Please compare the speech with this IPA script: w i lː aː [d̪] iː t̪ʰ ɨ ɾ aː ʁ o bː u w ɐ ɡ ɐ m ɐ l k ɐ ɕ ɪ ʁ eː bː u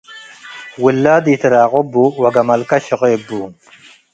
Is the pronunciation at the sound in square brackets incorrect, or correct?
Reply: correct